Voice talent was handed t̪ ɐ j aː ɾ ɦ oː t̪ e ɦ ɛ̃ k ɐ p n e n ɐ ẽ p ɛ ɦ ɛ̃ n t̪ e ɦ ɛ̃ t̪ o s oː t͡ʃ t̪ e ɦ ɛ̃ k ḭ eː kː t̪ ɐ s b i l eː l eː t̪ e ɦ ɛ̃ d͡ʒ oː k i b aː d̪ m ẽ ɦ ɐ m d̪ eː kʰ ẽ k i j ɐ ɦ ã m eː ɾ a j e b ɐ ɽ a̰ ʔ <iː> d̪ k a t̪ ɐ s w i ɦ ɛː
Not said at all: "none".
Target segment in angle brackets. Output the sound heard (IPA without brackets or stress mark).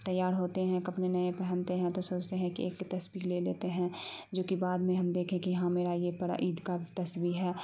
iː